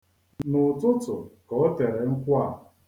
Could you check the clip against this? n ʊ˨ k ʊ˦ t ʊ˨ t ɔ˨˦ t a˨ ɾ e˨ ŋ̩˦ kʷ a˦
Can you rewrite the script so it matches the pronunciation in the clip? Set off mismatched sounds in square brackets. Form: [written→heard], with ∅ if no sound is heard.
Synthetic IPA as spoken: n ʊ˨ [k→t] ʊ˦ t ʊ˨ [t→k] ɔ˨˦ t [a˨→e˨] ɾ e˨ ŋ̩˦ kʷ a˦

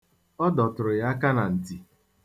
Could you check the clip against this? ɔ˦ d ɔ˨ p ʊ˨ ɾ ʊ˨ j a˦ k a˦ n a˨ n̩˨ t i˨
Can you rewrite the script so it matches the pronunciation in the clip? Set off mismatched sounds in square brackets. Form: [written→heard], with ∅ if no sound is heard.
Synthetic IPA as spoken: ɔ˦ d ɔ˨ [p→t] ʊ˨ ɾ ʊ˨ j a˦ k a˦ n a˨ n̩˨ t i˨

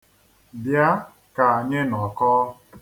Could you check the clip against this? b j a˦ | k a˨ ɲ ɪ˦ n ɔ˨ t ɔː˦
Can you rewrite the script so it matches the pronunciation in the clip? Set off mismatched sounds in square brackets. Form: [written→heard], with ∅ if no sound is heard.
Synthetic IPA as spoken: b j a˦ | k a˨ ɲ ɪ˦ n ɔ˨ [t→k] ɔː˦

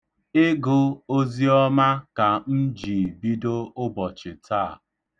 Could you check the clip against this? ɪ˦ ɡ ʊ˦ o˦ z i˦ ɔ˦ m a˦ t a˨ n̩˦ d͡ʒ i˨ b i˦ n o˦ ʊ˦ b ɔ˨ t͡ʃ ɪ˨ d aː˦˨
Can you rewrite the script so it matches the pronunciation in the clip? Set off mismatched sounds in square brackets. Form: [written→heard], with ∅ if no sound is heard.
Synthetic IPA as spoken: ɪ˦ ɡ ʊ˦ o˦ z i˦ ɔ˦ m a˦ [t→k] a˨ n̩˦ d͡ʒ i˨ b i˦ [n→d] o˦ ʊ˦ b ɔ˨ t͡ʃ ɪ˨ [d→t] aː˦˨

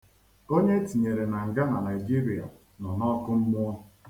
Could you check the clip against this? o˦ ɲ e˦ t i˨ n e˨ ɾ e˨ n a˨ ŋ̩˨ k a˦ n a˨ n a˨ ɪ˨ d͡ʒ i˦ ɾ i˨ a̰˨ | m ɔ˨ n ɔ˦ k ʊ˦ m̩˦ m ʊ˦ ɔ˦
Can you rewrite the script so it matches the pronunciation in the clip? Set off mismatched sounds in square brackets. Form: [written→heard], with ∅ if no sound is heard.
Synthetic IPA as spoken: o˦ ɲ e˦ t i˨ [n→ɲ] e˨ ɾ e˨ n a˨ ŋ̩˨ [k→ɡ] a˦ n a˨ n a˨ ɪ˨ d͡ʒ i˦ ɾ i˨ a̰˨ | [m→n] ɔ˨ n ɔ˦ k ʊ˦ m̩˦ m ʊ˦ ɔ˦

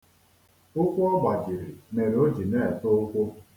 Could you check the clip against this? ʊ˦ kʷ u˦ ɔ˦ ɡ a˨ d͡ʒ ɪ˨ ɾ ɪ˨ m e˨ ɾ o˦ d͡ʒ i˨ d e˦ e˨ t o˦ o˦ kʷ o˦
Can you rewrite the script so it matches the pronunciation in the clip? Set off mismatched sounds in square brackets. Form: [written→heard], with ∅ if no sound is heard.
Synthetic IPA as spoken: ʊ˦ kʷ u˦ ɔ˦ [ɡ→ɡ͡b] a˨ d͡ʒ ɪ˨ ɾ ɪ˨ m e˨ ɾ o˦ d͡ʒ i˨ [d→n] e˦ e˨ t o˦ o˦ kʷ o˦

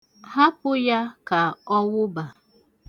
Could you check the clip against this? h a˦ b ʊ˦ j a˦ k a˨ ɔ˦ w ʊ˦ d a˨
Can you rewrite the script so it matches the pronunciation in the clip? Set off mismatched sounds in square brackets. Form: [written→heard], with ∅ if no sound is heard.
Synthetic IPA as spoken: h a˦ [b→p] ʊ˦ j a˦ k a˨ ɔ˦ w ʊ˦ [d→b] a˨

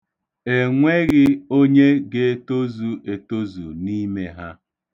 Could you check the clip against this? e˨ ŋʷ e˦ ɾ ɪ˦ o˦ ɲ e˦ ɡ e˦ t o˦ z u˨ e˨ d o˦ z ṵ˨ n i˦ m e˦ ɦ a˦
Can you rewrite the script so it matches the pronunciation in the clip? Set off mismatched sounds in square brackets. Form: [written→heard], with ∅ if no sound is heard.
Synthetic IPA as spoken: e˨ ŋʷ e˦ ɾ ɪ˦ o˦ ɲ e˦ ɡ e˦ t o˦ z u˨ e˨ [d→t] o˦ z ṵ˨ n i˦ m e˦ ɦ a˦

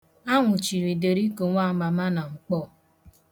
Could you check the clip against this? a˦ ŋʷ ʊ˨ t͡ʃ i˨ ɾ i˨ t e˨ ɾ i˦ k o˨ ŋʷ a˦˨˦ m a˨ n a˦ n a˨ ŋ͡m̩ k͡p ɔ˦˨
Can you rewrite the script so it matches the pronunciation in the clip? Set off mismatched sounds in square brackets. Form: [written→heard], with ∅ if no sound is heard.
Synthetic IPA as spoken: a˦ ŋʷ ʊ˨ t͡ʃ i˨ ɾ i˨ [t→d] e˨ ɾ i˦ k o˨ ŋʷ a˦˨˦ m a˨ [n→m] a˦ n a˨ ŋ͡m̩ k͡p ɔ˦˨

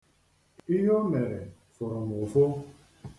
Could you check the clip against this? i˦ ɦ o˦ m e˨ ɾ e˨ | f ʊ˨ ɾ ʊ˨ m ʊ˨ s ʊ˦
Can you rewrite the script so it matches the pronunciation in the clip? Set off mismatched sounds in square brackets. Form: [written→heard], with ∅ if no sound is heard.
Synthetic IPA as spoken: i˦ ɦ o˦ m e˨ ɾ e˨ | f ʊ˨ ɾ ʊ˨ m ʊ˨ [s→f] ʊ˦

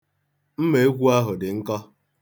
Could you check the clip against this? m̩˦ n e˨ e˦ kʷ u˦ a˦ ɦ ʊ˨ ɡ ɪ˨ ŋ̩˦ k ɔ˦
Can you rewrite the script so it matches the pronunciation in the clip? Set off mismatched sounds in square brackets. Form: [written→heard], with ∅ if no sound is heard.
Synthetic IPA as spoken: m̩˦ [n→m] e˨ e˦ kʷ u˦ a˦ ɦ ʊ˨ [ɡ→d] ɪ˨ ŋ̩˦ k ɔ˦

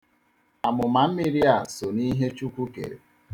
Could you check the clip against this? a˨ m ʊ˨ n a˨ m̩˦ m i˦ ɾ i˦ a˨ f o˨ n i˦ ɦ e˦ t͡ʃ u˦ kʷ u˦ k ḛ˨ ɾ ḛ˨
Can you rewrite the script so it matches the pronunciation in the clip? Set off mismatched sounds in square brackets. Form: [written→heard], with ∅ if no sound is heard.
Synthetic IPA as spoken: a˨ m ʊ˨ [n→m] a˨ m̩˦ m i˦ ɾ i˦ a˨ [f→s] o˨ n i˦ ɦ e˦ t͡ʃ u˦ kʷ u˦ k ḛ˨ ɾ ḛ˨

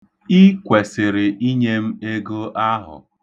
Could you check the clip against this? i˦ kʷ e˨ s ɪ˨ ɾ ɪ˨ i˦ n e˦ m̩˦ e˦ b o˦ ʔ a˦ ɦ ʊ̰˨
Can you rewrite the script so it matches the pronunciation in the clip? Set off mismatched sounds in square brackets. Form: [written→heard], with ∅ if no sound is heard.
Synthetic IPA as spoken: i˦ kʷ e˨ s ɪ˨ ɾ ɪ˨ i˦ [n→ɲ] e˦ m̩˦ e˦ [b→ɡ] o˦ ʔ a˦ ɦ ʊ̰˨

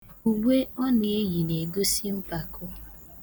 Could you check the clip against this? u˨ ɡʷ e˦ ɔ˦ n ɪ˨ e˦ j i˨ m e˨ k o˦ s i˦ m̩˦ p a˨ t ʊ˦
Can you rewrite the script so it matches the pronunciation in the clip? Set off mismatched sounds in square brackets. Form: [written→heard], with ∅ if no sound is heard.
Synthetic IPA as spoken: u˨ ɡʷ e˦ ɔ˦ n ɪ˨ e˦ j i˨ [m→n] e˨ [k→ɡ] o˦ s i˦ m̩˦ p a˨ [t→k] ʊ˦

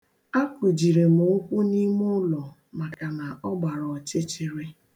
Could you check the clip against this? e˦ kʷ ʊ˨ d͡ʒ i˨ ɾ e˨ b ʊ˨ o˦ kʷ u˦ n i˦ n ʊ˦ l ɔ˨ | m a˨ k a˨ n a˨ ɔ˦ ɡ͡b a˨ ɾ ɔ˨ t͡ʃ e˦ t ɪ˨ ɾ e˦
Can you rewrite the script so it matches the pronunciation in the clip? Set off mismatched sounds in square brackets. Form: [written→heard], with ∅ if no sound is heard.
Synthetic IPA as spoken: [e˦→a˦] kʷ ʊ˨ d͡ʒ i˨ ɾ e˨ [b→m] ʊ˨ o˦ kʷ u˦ n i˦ [n→m] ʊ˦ l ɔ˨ | m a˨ k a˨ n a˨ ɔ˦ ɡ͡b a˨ ɾ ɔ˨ t͡ʃ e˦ [t→t͡ʃ] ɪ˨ ɾ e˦

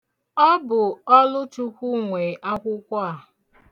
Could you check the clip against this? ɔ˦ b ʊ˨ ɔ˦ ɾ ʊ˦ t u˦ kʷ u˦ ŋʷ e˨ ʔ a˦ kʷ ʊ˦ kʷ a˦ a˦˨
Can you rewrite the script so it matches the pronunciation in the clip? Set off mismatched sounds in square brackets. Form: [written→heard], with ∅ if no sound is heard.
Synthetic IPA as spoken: ɔ˦ b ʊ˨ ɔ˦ [ɾ→l] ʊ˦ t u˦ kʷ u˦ ŋʷ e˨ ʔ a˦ kʷ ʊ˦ kʷ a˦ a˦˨

